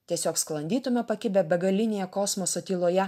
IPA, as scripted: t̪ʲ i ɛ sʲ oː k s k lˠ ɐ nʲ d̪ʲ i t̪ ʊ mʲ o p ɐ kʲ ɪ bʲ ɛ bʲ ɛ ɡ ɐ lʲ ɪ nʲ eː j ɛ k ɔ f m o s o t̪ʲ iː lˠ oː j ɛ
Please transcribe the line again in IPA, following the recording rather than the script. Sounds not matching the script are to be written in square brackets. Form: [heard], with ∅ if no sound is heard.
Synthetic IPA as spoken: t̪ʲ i ɛ sʲ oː k s k lˠ ɐ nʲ d̪ʲ [iː] t̪ ʊ mʲ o p ɐ kʲ ɪ bʲ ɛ bʲ ɛ ɡ ɐ lʲ ɪ nʲ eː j ɛ k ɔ [s] m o s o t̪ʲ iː lˠ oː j ɛ

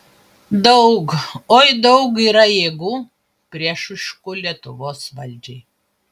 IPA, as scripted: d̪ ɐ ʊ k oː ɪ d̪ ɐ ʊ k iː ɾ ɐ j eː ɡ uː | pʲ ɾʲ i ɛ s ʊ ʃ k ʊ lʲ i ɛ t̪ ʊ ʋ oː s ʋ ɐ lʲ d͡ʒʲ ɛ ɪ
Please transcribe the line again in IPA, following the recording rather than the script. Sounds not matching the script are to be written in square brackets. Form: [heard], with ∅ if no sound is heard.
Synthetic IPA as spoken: d̪ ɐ ʊ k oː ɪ d̪ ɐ ʊ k iː ɾ ɐ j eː ɡ uː | pʲ ɾʲ i ɛ [ʃ] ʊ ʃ k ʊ lʲ i ɛ t̪ ʊ ʋ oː s ʋ ɐ lʲ d͡ʒʲ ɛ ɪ

